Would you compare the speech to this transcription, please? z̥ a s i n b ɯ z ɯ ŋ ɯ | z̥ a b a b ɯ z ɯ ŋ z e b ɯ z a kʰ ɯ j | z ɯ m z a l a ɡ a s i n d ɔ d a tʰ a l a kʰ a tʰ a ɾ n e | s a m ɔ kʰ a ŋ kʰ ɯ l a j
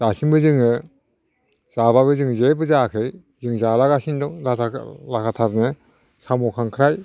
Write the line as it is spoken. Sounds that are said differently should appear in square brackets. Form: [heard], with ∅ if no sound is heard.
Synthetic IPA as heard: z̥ a s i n b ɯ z ɯ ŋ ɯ | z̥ a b a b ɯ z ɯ ŋ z e b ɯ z a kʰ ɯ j | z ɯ [ŋ] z a l a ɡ a s i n d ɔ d a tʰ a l a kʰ a tʰ a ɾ n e | s a m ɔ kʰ a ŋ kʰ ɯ [ɾ] a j